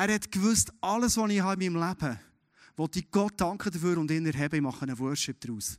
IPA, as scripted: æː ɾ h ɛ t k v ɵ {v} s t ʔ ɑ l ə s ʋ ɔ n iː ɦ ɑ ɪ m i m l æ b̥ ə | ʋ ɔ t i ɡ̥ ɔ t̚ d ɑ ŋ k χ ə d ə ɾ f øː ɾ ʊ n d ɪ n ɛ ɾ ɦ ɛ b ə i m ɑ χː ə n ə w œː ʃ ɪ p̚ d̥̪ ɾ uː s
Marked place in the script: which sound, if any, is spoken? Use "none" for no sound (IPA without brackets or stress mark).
none